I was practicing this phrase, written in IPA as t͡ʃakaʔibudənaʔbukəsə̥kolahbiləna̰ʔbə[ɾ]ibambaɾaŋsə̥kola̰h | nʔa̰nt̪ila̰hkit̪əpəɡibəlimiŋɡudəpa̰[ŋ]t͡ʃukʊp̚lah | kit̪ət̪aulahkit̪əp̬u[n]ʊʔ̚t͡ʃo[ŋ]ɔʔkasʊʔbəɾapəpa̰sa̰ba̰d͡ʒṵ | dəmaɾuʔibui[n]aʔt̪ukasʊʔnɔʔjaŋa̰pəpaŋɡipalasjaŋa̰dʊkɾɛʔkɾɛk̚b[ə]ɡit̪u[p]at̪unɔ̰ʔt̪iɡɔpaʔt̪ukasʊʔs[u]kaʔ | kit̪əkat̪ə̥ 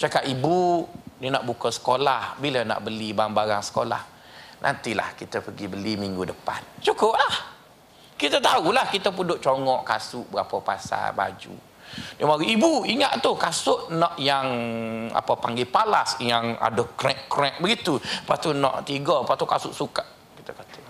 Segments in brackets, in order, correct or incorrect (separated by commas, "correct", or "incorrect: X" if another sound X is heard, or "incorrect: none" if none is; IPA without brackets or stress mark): incorrect: l, incorrect: n, incorrect: d, correct, incorrect: ŋ, correct, correct, correct